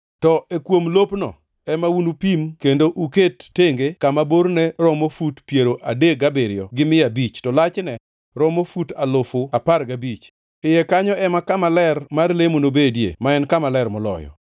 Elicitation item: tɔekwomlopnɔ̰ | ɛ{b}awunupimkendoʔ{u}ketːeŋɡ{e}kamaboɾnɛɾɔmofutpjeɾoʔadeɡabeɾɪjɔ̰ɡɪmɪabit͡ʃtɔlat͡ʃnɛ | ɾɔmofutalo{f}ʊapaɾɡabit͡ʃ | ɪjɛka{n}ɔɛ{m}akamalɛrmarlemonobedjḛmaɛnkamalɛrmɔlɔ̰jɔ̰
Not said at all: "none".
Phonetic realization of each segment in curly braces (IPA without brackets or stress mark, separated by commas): m, u, e, f, ɲ, m